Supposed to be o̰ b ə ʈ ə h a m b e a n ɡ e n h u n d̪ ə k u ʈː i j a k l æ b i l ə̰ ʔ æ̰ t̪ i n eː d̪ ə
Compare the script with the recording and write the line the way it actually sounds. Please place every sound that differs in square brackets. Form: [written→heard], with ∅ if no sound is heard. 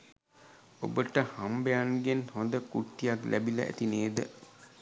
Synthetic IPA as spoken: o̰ b ə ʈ ə h a m b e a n ɡ e n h [u→o] n d̪ ə k u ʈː i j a k l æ b i l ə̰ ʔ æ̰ t̪ i n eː d̪ ə